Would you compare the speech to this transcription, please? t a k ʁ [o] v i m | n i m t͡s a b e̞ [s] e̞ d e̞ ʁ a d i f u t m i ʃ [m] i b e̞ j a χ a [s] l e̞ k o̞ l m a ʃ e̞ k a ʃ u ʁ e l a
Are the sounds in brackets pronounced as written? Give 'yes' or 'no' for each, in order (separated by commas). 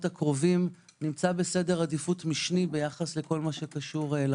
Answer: yes, yes, no, yes